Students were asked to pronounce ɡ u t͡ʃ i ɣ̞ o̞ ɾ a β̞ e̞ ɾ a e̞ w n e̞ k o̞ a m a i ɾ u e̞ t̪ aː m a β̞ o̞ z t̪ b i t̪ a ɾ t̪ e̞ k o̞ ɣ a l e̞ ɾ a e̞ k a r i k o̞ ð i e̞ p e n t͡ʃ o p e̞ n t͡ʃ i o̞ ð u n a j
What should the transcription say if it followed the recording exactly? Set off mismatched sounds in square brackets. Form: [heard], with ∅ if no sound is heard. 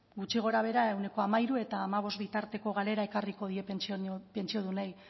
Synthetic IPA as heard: ɡ u t͡ʃ i ɣ̞ o̞ ɾ a β̞ e̞ ɾ a e̞ w n e̞ k o̞ a m a i ɾ u e̞ t̪ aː m a β̞ o̞ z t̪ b i t̪ a ɾ t̪ e̞ k o̞ ɣ a l e̞ ɾ a e̞ k a r i k o̞ ð i e̞ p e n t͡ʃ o p e̞ n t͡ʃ i o̞ ð u n a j

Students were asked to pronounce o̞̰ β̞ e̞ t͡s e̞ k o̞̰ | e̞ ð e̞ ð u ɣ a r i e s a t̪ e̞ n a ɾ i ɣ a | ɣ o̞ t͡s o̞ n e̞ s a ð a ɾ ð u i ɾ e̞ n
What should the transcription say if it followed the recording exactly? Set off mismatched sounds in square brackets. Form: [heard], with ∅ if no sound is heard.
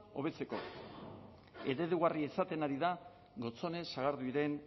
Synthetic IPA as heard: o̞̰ β̞ e̞ t͡s e̞ k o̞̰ | e̞ ð e̞ ð u ɣ a r i e s a t̪ e̞ n a ɾ i [ð] a | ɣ o̞ t͡s o̞ n e̞ s a [ɣ] a ɾ ð u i ɾ e̞ n

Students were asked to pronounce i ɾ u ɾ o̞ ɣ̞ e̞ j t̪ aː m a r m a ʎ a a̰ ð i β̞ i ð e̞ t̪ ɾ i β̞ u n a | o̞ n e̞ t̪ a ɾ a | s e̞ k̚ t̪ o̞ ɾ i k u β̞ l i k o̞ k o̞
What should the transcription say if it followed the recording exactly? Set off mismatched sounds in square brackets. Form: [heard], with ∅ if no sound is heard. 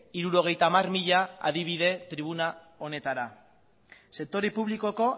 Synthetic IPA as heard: i ɾ u ɾ o̞ ɣ̞ e̞ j t̪ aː m a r m [i] ʎ a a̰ ð i β̞ i ð e̞ t̪ ɾ i β̞ u n a | o̞ n e̞ t̪ a ɾ a | s e̞ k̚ t̪ o̞ ɾ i [p] u β̞ l i k o̞ k o̞

